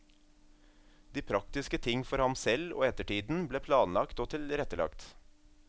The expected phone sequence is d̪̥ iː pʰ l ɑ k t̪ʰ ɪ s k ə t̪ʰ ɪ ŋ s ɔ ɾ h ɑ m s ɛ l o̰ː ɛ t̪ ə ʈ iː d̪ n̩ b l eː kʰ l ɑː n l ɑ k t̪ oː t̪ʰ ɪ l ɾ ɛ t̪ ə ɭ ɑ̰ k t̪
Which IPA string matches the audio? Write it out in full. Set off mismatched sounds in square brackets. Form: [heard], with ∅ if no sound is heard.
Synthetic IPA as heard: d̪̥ iː pʰ [ɾ] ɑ k [t̪] ɪ s k ə t̪ʰ ɪ ŋ [f] ɔ ɾ h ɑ m s ɛ l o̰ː ɛ t̪ ə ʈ iː d̪ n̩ b l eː [pʰ] l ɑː n l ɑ k t̪ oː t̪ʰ ɪ l ɾ ɛ t̪ ə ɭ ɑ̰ k t̪